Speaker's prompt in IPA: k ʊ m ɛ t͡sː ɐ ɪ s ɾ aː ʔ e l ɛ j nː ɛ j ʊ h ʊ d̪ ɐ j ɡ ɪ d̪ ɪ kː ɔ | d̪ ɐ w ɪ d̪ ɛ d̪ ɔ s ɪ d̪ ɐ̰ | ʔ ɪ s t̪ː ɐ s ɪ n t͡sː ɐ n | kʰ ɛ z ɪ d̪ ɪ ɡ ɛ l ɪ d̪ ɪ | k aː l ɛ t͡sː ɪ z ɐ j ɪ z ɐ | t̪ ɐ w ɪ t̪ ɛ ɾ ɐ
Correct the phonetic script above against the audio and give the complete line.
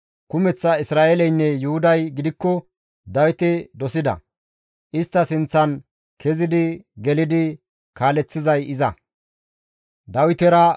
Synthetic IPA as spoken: k ʊ m ɛ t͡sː ɐ ɪ s ɾ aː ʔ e l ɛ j nː ɛ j ʊ h ʊ d̪ ɐ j ɡ ɪ d̪ ɪ kː ɔ | d̪ ɐ w ɪ t̪ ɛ d̪ ɔ s ɪ d̪ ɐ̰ | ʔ ɪ s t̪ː ɐ s ɪ n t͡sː ɐ n | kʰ ɛ z ɪ d̪ ɪ ɡ ɛ l ɪ d̪ ɪ | k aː l ɛ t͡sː ɪ z ɐ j ɪ z ɐ | d̪ ɐ w ɪ t̪ ɛ ɾ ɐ